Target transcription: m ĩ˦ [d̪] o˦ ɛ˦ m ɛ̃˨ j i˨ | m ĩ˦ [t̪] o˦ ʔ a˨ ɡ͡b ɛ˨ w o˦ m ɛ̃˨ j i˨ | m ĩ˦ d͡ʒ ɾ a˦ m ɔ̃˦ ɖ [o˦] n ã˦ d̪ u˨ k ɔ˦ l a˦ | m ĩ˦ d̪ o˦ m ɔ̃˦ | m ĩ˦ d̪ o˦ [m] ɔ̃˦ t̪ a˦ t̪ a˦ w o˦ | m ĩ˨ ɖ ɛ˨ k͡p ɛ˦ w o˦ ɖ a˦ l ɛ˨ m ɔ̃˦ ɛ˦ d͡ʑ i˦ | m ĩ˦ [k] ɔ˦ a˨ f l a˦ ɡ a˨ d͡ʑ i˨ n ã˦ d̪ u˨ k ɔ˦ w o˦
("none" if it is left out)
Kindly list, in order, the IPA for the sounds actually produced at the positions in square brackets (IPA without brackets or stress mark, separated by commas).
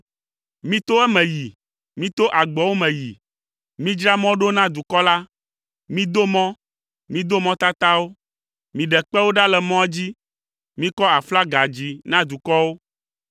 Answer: t̪, t̪, o˦, m, k